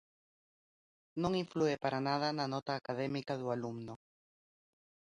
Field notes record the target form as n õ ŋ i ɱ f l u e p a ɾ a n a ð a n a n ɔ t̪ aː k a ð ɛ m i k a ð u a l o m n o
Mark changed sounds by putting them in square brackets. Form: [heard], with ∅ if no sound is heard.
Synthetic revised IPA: n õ ŋ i ɱ f l u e p a ɾ a n a ð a n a n ɔ t̪ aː k a ð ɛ m i k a ð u a l [u] m n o